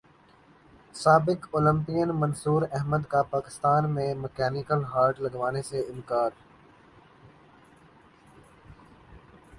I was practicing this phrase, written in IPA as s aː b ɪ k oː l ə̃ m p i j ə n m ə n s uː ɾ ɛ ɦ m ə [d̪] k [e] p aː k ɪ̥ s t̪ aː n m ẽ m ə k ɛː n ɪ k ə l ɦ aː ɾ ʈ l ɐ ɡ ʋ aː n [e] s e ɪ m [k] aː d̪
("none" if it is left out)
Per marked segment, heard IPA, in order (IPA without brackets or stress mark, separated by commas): d̪, a, e, k